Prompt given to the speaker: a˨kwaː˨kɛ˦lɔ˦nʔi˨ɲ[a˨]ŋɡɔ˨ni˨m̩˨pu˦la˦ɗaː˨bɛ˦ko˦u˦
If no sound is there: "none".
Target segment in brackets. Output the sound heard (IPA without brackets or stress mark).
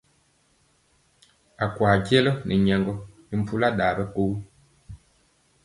ɛ˨